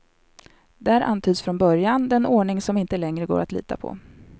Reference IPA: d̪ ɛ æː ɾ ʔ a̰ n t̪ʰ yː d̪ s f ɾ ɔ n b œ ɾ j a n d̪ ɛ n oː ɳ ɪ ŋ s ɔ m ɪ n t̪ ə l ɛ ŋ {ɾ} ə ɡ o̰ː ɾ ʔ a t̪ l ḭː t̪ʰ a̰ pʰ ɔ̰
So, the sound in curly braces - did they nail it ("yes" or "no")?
yes